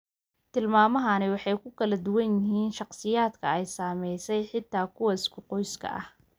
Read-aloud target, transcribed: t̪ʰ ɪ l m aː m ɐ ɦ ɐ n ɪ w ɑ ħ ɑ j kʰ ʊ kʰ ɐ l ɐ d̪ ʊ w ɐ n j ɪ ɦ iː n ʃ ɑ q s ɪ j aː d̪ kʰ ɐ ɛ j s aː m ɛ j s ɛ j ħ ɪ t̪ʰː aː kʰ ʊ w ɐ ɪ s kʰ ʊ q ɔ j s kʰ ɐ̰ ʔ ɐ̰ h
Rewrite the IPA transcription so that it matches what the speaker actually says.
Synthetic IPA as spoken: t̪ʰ ɪ l m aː m ɐ ɦ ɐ n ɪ w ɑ ħ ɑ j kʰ ʊ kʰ ɐ l ɐ d̪ ʊ w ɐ n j ɪ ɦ iː n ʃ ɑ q s ɪ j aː d̪ kʰ ɐ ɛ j s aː m ɛ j s ɛ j ħ ɪ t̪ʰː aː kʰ ʊ w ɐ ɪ s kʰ ʊ q ɔ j s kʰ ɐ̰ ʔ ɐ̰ h

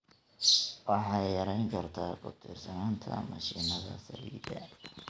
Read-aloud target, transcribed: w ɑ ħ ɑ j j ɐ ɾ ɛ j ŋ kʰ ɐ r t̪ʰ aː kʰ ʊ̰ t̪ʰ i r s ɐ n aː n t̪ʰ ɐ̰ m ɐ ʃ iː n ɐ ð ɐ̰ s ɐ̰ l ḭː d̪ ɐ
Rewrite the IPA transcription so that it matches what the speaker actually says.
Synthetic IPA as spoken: w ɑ ħ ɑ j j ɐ ɾ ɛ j ŋ kʰ ɐ r t̪ʰ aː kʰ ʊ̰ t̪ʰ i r s ɐ n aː n t̪ʰ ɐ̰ m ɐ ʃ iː n ɐ ð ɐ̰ s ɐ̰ l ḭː d̪ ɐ

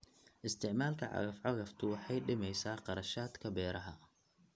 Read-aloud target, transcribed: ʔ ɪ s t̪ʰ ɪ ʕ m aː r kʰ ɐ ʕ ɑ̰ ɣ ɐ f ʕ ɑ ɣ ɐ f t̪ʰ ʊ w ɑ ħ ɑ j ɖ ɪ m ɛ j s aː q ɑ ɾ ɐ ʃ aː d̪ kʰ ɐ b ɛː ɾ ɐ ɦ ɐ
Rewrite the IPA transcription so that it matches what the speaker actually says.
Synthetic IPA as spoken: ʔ ɪ s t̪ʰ ɪ ʕ m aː l kʰ ɐ ʕ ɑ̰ ɣ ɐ f ʕ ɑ ɣ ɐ f t̪ʰ ʊ w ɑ ħ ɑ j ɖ ɪ m ɛ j s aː q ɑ ɾ ɐ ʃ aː d̪ kʰ ɐ b ɛː ɾ ɐ ɦ ɐ

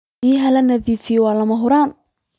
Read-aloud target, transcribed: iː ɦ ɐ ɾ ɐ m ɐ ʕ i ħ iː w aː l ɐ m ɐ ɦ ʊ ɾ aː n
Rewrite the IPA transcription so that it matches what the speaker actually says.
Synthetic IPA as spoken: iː ɦ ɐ l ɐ n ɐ ð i f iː w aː l ɐ m ɐ ɦ ʊ ɾ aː n

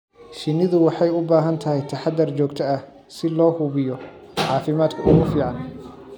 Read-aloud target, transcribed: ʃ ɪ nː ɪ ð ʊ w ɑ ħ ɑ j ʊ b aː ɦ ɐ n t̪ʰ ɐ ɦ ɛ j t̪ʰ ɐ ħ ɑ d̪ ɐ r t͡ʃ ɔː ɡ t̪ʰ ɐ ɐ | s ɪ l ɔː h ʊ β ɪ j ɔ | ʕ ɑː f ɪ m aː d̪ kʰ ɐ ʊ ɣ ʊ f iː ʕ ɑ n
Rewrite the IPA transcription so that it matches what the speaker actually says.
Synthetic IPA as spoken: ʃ ɪ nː ɪ ð ʊ w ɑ ħ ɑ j ʊ b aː ɦ ɐ n t̪ʰ ɐ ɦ ɛ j t̪ʰ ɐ ħ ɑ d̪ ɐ r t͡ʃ ɔː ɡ t̪ʰ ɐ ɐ | s ɪ l ɔː h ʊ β ɪ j ɔ | ʕ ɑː f ɪ m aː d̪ kʰ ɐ ʊ ɣ ʊ f iː ʕ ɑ n

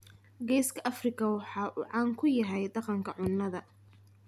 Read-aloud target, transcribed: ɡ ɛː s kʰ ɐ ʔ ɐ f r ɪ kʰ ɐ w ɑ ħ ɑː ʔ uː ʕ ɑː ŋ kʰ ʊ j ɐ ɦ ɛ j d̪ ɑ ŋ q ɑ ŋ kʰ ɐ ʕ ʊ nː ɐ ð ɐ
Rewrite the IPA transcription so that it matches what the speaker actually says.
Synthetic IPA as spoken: ɡ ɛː s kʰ ɐ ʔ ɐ f r ɪ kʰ ɐ w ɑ ħ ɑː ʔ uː ʕ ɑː ŋ kʰ ʊ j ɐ ɦ ɛ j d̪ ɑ q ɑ ŋ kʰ ɐ ʕ ʊ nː ɐ ð ɐ

